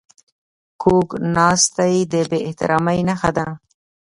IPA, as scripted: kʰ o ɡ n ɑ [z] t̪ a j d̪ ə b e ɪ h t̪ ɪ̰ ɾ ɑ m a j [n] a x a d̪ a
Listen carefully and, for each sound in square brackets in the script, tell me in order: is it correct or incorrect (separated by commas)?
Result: incorrect, correct